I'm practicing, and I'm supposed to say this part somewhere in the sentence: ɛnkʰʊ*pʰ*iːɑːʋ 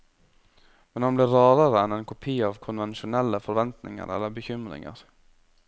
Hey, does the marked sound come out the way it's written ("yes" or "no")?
yes